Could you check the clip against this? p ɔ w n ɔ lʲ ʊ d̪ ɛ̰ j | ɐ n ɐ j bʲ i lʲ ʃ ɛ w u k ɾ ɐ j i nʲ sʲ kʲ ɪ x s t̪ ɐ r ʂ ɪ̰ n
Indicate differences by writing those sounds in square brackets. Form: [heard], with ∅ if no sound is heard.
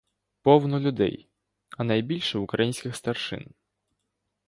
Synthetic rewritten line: p ɔ w n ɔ lʲ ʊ d̪ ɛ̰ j | ɐ n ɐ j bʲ i lʲ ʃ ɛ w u k ɾ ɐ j i nʲ sʲ kʲ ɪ x s t̪ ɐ r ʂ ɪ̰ n

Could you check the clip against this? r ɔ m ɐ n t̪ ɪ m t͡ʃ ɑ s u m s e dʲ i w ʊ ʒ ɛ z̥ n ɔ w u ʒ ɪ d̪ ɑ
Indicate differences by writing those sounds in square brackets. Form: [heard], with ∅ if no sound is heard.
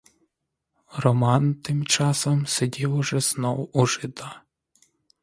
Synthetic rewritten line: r ɔ m [ɑ] n t̪ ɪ m t͡ʃ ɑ s [ɔ] m s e dʲ i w ʊ ʒ ɛ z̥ n ɔ w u ʒ ɪ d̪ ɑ

